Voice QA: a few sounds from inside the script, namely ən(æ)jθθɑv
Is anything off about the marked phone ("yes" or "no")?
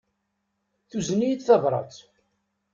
yes